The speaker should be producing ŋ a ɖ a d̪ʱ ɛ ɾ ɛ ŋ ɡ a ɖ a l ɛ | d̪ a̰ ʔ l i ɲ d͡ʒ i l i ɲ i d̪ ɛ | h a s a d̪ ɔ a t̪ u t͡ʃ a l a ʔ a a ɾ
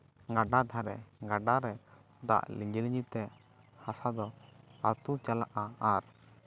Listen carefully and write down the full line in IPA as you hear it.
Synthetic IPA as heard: ŋ a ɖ a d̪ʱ a ɾ ɛ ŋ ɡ a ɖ a ɾ ɛ | d̪ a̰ ʔ l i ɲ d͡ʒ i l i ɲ i t̪ ɛ | h a s a d̪ ɔ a t̪ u t͡ʃ a l a ʔ a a ɾ